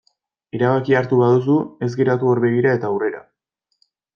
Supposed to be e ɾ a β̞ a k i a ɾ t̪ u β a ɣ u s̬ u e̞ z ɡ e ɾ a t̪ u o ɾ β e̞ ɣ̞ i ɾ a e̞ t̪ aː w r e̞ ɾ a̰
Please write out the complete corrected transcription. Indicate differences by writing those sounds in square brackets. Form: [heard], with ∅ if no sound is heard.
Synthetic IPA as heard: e ɾ a β̞ a k i a ɾ t̪ u β a [ð] u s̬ u e̞ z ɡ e ɾ a t̪ u o ɾ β e̞ ɣ̞ i ɾ a e̞ t̪ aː w r e̞ ɾ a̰